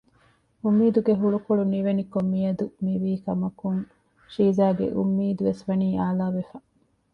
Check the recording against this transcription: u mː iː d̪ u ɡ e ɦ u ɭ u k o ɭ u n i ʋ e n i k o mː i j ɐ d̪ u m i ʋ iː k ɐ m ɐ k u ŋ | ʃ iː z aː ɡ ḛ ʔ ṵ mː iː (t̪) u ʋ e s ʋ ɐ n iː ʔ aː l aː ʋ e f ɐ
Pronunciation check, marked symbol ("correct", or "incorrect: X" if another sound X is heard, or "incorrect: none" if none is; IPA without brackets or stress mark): incorrect: d̪